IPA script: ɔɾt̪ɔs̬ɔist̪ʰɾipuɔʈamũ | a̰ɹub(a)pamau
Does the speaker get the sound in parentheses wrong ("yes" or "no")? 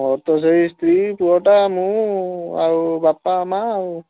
no